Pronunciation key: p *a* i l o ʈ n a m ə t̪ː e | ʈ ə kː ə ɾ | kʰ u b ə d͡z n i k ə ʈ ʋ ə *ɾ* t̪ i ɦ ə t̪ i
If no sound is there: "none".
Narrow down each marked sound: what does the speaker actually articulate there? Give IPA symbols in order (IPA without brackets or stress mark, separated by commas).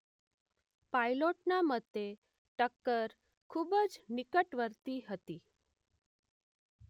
a, ɾ